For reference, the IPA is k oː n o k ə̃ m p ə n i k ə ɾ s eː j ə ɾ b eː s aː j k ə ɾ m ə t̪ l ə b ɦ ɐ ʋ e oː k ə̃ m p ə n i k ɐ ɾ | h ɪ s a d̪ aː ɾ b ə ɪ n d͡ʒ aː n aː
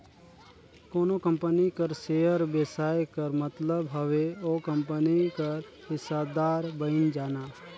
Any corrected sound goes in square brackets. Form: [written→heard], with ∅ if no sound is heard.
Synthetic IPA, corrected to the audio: k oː n o k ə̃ m p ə n i k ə ɾ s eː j ə ɾ b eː s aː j k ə ɾ m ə t̪ l ə b ɦ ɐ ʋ e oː k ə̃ m p ə n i k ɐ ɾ | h ɪ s a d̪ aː ɾ b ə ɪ n d͡ʒ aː n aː